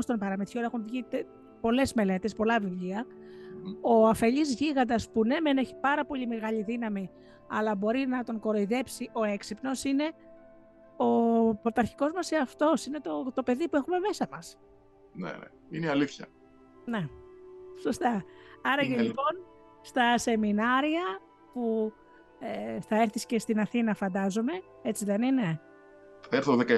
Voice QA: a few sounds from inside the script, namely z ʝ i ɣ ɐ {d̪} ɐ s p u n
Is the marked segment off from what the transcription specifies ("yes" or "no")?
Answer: no